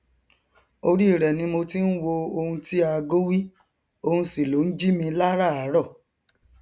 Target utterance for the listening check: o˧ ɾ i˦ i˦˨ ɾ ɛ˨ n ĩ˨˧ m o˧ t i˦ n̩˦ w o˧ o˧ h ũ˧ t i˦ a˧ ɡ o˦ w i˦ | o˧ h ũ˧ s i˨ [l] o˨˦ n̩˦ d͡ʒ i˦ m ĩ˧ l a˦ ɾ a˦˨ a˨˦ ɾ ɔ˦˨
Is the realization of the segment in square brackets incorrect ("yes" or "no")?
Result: no